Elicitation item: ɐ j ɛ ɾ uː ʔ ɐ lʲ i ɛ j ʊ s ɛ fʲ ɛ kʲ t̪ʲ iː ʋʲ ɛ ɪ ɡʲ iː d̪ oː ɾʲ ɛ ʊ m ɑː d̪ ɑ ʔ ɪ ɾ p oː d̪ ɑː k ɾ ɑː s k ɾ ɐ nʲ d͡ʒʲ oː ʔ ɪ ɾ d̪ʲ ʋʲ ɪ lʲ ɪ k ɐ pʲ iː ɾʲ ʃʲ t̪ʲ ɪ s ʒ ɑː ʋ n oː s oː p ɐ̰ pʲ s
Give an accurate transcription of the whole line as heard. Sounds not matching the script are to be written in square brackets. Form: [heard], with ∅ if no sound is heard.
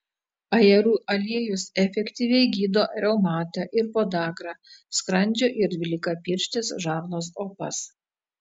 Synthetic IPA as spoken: ɐ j ɛ ɾ uː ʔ ɐ lʲ i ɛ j ʊ s ɛ fʲ ɛ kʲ t̪ʲ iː ʋʲ ɛ ɪ ɡʲ iː d̪ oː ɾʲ ɛ ʊ m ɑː [t̪] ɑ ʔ ɪ ɾ p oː d̪ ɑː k ɾ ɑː s k ɾ ɐ nʲ d͡ʒʲ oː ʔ ɪ ɾ d̪ʲ ʋʲ ɪ lʲ ɪ k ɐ pʲ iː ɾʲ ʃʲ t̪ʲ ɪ s ʒ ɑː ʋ n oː s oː p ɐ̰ [∅] s